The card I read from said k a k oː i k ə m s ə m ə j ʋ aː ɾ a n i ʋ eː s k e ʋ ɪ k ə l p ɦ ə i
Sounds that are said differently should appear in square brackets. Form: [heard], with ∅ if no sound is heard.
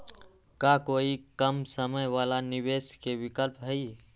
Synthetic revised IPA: k a k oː i k ə m s ə m ə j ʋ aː [l] a n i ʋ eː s k e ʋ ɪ k ə l p ɦ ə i